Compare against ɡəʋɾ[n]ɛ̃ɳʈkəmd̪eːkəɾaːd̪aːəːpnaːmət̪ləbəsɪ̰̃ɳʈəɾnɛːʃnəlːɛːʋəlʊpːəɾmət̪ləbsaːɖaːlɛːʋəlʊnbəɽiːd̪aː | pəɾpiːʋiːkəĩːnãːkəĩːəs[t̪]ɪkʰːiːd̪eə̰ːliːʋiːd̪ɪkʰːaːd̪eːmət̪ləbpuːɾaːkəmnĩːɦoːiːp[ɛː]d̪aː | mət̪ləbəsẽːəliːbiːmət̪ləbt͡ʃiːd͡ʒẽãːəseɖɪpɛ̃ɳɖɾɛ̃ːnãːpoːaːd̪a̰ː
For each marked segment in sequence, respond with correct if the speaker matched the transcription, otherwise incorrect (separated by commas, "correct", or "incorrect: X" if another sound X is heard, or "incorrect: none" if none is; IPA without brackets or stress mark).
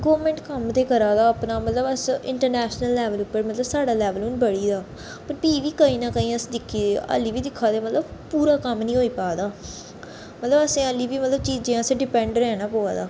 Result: incorrect: m, incorrect: d̪, incorrect: aː